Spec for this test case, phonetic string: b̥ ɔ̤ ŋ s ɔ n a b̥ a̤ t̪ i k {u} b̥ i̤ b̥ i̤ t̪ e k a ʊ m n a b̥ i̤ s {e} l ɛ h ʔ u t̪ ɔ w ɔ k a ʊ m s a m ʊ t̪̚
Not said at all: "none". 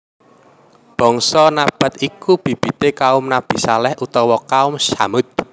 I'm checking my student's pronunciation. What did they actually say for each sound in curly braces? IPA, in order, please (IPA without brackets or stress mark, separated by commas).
u, a